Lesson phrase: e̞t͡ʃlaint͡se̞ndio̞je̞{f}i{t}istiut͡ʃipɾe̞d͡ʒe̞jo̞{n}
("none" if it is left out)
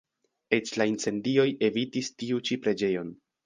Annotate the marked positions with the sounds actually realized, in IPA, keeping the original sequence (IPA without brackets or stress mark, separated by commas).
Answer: v, t, n